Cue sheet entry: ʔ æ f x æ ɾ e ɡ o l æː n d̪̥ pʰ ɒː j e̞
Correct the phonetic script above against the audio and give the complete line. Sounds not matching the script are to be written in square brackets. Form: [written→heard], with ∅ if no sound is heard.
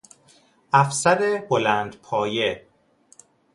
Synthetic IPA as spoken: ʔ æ f [x→s] æ ɾ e [ɡ→b] o l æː n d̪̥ pʰ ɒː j e̞